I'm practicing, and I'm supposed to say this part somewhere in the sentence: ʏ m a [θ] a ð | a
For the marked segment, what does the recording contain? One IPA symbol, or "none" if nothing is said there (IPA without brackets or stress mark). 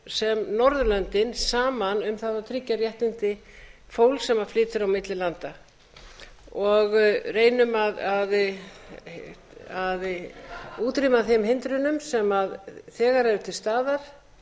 ð